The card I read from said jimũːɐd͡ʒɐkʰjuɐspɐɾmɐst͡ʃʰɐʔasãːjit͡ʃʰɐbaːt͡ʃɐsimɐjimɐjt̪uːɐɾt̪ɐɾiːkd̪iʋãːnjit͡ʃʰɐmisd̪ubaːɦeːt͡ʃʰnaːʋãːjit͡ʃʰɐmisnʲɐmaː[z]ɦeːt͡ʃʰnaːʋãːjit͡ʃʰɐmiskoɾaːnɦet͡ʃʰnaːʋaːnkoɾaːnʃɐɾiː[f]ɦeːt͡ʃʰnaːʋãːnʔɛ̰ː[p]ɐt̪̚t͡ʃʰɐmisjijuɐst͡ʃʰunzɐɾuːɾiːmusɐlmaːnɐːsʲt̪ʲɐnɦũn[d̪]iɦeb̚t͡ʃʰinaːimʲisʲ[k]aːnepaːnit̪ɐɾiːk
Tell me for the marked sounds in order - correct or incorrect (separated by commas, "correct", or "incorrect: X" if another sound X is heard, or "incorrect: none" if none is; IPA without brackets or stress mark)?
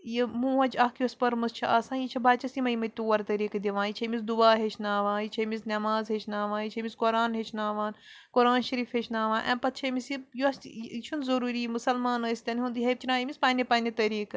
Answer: correct, correct, correct, correct, incorrect: p